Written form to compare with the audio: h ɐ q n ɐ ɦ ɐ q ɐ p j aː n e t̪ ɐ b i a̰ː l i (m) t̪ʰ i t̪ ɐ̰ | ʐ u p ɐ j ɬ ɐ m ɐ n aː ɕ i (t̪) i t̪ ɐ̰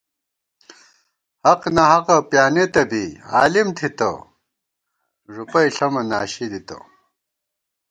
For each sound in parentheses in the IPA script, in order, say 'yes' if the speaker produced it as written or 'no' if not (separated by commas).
yes, no